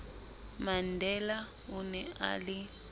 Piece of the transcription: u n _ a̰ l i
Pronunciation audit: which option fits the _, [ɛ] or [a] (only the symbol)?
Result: ɛ